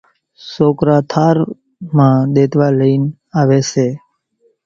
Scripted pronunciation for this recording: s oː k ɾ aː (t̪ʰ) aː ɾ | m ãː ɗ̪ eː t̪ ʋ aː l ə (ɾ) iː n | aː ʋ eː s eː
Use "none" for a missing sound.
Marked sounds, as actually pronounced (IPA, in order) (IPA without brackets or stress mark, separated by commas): t̪ʰ, none